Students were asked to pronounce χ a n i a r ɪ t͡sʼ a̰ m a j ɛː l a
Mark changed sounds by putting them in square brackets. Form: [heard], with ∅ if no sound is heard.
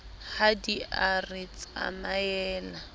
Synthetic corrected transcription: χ a [d] i a r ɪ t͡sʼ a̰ m a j ɛː l a